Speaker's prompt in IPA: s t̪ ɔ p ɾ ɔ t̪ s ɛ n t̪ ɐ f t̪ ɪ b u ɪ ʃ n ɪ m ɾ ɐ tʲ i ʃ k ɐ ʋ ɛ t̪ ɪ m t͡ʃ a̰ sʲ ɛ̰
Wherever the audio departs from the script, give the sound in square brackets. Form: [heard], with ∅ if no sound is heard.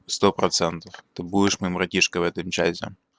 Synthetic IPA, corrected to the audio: s t̪ ɔ p ɾ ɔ t̪ s ɛ n t̪ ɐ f t̪ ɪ b u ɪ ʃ [m] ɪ m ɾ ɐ tʲ i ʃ k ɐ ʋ ɛ t̪ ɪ m t͡ʃ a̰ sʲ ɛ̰